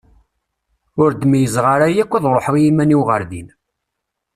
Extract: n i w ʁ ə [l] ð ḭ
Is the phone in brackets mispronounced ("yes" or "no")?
yes